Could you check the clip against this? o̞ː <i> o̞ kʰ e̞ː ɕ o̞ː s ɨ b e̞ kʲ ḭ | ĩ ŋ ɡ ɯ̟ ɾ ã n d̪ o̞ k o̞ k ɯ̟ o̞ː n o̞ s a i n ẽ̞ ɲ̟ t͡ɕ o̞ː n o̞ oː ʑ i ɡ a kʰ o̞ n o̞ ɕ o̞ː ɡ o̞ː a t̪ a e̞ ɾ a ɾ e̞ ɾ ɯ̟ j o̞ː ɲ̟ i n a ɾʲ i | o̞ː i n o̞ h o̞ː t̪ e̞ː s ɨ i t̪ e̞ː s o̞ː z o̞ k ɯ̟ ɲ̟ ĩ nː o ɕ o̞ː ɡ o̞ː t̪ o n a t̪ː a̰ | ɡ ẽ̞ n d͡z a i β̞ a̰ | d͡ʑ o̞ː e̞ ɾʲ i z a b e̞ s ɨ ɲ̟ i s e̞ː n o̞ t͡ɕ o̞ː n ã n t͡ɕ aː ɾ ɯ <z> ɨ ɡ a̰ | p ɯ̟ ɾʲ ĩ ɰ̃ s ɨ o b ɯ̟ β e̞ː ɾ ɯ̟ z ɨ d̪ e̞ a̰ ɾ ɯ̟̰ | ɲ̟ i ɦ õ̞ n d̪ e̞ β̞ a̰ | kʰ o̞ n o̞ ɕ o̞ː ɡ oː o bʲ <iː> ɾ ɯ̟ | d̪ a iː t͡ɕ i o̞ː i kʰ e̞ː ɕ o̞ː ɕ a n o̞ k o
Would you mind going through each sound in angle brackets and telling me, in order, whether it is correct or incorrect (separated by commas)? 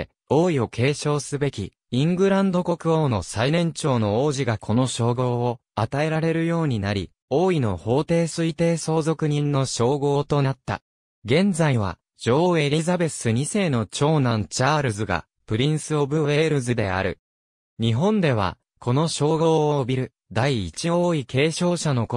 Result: correct, correct, incorrect